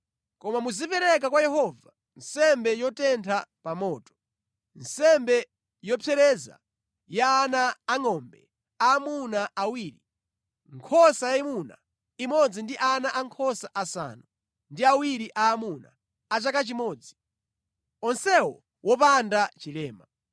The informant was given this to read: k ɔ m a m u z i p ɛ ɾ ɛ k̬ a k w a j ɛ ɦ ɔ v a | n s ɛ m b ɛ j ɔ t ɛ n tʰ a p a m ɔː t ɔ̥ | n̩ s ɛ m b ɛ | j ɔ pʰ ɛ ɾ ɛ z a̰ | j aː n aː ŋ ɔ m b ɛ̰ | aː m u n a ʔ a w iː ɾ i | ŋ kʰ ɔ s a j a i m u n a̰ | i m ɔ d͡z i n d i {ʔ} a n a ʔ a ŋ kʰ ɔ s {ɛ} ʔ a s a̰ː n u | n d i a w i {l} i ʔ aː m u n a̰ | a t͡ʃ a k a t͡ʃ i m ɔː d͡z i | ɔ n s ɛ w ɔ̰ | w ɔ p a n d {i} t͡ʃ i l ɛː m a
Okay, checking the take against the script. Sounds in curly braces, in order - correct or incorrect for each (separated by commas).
correct, incorrect, incorrect, incorrect